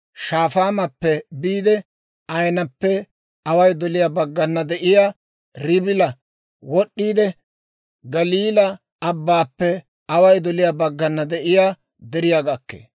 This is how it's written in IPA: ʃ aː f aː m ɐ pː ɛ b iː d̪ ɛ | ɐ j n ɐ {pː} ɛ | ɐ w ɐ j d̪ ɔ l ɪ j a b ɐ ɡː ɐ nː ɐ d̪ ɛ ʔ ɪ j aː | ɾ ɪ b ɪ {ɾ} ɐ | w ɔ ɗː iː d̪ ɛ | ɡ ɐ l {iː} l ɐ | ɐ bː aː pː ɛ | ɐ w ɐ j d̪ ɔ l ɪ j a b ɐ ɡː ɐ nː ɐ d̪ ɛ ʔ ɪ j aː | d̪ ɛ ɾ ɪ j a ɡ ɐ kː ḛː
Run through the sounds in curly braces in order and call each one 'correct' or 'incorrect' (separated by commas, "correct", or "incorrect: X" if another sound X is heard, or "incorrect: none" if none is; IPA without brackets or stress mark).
correct, incorrect: l, correct